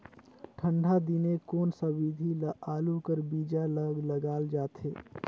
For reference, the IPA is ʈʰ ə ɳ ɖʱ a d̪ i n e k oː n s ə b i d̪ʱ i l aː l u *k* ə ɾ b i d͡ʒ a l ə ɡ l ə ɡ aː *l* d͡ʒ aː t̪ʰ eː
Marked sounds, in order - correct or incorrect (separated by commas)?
correct, correct